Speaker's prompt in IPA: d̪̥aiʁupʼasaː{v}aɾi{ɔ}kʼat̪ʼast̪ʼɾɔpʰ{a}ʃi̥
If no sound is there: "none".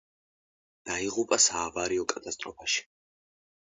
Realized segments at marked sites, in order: v, ɔ, a

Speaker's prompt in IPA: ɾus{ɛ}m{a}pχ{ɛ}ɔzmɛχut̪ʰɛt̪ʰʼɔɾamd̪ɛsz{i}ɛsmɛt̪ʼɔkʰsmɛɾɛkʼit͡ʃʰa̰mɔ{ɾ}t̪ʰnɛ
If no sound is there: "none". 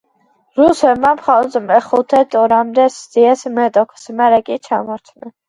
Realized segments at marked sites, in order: ɛ, a, a, i, ɾ

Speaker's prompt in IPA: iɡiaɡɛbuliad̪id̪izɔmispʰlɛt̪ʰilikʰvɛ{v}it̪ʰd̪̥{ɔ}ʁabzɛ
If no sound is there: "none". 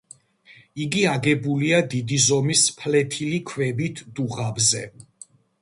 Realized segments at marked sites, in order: b, u

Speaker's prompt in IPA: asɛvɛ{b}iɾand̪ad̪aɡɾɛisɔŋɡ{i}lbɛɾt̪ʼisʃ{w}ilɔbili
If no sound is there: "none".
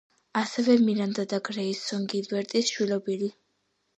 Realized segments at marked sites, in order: m, i, w

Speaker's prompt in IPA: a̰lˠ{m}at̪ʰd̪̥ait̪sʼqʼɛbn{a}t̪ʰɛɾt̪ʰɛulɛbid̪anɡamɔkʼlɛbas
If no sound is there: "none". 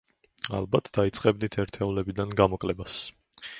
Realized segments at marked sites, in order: b, i

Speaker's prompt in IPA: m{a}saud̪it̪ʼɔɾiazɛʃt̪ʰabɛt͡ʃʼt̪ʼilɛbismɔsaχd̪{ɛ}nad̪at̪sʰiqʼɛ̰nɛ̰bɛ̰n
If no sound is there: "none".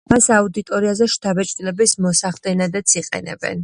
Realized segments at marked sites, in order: a, ɛ

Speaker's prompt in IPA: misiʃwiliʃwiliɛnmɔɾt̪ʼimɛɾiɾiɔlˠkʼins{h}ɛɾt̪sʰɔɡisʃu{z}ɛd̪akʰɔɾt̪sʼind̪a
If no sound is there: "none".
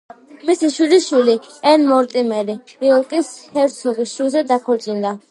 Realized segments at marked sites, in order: h, z

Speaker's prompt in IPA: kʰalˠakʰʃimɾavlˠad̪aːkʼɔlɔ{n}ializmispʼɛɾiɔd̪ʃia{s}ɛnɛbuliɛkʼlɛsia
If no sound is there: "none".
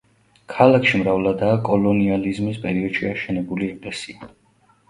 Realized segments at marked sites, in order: n, ʃ

